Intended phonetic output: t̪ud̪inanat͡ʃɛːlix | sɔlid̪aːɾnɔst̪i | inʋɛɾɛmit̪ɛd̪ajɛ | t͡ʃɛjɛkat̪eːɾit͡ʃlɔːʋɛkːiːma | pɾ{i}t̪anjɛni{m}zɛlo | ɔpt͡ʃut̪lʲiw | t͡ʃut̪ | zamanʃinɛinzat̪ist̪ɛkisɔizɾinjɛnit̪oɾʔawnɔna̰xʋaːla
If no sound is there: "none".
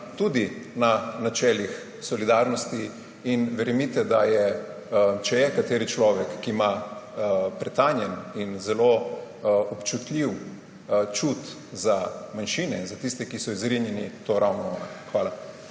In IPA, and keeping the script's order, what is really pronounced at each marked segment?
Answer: ɛ, n

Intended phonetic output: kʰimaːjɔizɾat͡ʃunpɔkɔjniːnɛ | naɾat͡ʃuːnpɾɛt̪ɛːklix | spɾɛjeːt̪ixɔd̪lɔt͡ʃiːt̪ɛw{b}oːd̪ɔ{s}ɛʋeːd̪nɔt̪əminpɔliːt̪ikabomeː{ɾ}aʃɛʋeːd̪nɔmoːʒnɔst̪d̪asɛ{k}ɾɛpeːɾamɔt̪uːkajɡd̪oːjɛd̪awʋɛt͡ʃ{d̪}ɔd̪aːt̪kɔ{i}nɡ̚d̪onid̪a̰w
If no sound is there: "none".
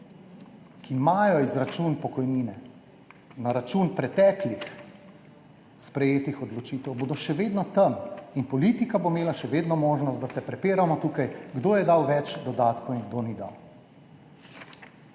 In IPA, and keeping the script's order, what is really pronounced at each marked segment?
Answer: b, ʃ, l, p, d̪, i

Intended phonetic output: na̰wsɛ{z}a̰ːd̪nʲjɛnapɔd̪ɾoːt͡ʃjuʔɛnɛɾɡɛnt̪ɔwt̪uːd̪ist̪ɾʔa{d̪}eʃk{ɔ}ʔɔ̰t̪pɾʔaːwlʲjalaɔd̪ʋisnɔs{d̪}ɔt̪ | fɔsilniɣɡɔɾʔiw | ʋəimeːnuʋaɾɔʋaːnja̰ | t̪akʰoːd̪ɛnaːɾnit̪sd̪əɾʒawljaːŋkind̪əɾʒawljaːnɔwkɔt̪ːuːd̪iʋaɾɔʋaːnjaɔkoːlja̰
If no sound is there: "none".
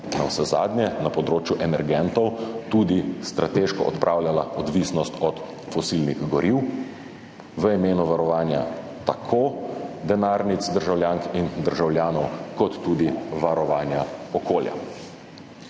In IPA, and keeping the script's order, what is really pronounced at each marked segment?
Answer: z, t̪, ɔ, t̪

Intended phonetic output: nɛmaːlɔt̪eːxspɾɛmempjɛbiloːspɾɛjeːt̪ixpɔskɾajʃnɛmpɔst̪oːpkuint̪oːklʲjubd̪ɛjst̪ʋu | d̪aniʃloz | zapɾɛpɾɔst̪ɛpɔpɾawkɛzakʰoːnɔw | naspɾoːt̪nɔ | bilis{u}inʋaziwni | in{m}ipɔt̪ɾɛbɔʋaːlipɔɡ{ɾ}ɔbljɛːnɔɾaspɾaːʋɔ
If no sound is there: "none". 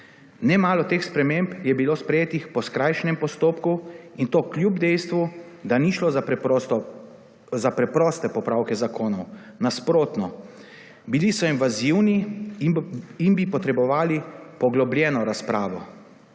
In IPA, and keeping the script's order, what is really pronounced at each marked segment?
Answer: ɔ, b, l

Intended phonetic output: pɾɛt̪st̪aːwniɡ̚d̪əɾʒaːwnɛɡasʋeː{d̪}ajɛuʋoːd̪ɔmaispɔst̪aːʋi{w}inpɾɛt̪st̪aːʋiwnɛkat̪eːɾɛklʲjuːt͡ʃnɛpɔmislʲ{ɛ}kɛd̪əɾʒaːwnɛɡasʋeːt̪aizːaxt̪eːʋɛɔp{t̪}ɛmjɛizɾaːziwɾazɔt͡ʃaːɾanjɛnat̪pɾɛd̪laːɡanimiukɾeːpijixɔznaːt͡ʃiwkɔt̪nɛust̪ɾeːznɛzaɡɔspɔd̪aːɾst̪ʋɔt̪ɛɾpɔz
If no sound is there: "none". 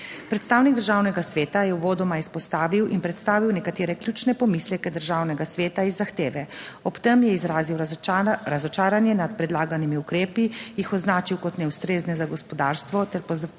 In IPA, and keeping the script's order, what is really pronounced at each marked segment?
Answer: t̪, w, ɛ, t̪

